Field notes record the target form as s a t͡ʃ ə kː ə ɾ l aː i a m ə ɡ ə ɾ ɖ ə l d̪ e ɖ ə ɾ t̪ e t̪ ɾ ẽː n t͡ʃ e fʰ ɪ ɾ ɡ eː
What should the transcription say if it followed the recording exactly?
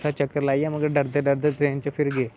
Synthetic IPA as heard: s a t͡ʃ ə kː ə ɾ l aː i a m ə ɡ ə ɾ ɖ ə ɾ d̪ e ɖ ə ɾ d̪ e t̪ ɾ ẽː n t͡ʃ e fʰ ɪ ɾ ɡ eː